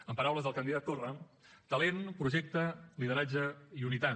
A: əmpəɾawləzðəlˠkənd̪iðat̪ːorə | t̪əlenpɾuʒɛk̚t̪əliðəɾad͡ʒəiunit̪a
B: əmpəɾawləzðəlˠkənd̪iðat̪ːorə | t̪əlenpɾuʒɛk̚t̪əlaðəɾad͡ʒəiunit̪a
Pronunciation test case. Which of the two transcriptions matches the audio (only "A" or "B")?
A